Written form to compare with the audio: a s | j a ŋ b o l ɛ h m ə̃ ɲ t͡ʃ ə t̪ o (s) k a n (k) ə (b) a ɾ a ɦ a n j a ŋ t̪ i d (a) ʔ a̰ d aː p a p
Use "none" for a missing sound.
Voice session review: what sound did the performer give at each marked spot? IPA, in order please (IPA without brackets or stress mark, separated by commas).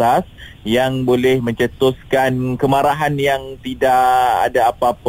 s, k, m, a